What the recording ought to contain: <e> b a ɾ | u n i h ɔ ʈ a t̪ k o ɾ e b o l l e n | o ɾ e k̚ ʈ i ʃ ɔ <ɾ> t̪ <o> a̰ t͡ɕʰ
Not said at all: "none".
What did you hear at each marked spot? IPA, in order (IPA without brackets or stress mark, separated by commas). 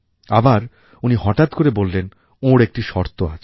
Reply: a, ɾ, o